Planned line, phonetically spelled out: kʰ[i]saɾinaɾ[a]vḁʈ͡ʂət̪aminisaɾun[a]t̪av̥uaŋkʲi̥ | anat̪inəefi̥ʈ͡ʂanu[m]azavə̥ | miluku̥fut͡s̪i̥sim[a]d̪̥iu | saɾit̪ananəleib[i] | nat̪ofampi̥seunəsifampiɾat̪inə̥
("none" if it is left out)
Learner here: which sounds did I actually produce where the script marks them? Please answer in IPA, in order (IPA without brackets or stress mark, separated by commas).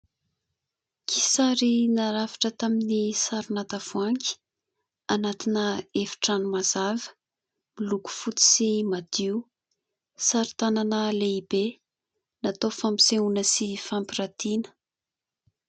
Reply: i, a, a, m, a, e